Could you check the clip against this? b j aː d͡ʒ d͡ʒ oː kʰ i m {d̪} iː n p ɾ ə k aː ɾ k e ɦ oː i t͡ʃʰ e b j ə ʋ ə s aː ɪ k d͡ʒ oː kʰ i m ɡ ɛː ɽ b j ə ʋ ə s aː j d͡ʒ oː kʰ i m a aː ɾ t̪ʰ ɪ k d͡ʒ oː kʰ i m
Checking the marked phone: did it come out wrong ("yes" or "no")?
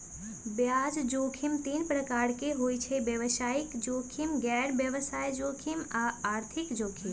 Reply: yes